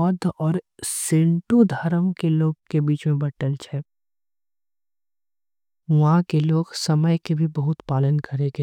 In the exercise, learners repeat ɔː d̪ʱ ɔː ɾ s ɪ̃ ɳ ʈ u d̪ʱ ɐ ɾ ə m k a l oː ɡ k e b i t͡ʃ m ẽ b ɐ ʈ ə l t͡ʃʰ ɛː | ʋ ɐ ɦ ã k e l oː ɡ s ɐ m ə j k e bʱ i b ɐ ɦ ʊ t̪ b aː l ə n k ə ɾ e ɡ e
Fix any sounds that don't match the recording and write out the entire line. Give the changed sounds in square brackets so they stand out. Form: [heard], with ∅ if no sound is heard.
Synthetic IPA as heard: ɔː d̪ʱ ɔː ɾ s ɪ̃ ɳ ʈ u d̪ʱ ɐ ɾ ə m k [e] l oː ɡ k e b [iː] t͡ʃ m ẽ b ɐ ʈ ə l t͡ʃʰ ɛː | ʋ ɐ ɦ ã k e l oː ɡ s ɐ m ə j k e bʱ i b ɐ ɦ ʊ t̪ [p] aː l ə n k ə ɾ e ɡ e